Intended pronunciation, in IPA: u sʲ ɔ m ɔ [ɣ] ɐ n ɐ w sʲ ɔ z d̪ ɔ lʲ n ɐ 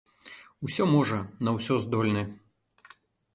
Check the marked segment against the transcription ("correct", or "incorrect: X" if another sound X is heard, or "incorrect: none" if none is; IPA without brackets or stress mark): incorrect: ʐ